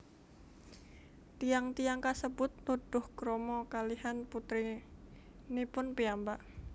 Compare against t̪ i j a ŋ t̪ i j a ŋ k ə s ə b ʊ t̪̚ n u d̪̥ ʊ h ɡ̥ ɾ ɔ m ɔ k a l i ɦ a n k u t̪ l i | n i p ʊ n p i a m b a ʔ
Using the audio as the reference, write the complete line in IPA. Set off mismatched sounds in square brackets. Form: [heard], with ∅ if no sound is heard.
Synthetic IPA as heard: t̪ i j a ŋ t̪ i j a ŋ k [a] s ə b ʊ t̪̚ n u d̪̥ ʊ h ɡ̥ ɾ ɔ m ɔ k a l i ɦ a n [p] u t̪ [ɾ] i | n i p ʊ n p i a m b a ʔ